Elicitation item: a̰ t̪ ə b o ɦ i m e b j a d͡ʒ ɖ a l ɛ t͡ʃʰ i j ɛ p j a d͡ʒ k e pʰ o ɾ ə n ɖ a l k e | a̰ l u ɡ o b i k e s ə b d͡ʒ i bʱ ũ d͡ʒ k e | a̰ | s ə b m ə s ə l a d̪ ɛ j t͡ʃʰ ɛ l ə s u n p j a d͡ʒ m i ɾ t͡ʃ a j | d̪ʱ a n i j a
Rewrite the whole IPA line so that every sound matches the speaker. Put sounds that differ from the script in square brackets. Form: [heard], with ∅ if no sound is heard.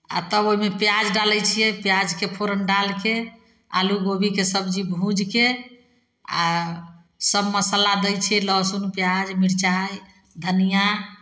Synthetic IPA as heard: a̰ t̪ ə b o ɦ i m e [p] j a d͡ʒ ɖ a l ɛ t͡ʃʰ i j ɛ p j a d͡ʒ k e pʰ o ɾ ə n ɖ a l k e | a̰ l u ɡ o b i k e s ə b d͡ʒ i bʱ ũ d͡ʒ k e | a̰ | s ə b m ə s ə l a d̪ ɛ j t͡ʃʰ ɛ l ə s u n p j a d͡ʒ m i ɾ t͡ʃ a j | d̪ʱ [ə] n i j a